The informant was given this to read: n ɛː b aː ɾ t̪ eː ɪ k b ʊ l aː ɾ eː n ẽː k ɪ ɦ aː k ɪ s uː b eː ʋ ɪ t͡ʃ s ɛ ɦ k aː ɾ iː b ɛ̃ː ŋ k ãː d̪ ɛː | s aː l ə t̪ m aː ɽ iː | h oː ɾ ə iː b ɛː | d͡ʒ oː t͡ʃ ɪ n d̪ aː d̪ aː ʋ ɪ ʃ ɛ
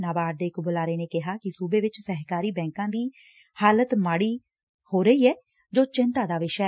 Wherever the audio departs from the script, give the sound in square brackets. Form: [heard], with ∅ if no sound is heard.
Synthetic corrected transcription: n [aː] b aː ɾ [d̪] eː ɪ k b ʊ l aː ɾ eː n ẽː k ɪ ɦ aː k ɪ s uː b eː ʋ ɪ t͡ʃ s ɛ ɦ k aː ɾ iː b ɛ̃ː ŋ k ãː d̪ [iː] | [h] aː l ə t̪ m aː ɽ iː | h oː ɾ ə iː [∅] ɛː | d͡ʒ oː t͡ʃ ɪ n [t̪] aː d̪ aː ʋ ɪ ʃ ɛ